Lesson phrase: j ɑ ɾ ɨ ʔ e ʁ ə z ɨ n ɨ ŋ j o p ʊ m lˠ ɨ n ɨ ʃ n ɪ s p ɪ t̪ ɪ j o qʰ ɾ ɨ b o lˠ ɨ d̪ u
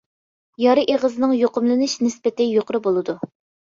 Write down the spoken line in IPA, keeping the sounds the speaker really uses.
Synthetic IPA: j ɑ ɾ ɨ ʔ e ʁ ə z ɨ n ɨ ŋ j o q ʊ m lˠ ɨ n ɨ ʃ n ɪ s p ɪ t̪ ɪ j o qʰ ɾ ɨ b o lˠ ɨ d̪ u